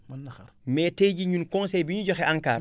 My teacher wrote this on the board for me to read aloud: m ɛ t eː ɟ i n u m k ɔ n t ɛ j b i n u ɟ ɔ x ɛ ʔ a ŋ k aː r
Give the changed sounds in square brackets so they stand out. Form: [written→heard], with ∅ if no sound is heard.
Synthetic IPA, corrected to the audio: m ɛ t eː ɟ i [n→ɲ] u [m→n] k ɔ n [t→s] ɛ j b i [n→ɲ] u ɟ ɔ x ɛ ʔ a ŋ k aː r